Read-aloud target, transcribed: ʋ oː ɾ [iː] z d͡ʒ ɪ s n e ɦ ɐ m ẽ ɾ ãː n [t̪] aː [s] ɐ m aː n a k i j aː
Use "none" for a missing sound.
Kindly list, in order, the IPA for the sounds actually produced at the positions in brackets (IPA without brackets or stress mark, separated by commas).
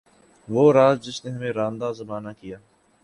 aː, d̪, z